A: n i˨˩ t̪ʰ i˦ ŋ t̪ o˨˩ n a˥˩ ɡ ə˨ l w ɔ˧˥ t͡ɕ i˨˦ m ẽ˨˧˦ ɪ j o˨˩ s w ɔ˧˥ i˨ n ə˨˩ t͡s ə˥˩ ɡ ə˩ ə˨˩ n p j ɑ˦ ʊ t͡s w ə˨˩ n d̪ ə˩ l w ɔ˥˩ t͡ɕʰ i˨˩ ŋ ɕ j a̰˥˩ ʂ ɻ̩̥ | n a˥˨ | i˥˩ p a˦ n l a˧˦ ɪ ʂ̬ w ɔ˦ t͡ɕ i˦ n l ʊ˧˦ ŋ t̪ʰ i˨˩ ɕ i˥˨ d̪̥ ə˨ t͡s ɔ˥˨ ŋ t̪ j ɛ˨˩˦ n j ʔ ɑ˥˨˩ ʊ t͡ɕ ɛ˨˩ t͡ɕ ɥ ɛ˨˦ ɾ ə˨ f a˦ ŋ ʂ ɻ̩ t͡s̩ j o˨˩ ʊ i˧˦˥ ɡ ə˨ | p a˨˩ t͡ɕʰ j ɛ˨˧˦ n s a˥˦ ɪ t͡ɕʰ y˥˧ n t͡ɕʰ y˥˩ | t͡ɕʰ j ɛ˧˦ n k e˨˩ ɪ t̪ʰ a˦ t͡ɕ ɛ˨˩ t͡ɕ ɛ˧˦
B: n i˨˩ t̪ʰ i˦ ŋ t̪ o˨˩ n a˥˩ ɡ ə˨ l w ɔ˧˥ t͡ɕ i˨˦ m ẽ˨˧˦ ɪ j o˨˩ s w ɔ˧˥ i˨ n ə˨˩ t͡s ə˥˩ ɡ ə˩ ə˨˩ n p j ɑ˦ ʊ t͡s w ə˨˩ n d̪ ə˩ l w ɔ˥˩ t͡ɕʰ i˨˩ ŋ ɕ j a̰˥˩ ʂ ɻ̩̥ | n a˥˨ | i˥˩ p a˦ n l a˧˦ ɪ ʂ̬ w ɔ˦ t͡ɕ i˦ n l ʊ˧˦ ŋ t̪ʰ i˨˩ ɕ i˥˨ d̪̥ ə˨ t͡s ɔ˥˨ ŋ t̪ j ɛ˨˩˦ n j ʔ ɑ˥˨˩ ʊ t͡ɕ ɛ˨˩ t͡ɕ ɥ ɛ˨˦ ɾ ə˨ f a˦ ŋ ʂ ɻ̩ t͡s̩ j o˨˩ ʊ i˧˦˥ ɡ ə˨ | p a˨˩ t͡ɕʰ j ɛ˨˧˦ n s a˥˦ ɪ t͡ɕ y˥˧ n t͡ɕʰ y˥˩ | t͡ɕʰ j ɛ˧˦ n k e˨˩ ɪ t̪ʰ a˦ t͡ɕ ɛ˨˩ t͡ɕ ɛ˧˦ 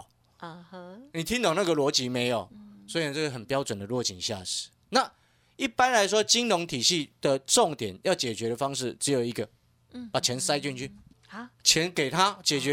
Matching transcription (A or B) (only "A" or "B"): B